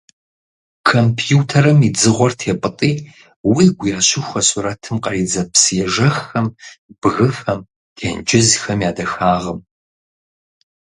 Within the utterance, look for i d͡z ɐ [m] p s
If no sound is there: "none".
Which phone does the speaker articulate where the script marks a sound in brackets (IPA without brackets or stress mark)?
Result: none